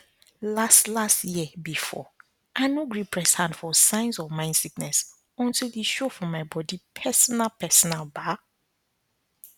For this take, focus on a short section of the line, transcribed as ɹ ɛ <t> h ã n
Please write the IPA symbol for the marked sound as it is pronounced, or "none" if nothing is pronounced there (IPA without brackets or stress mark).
s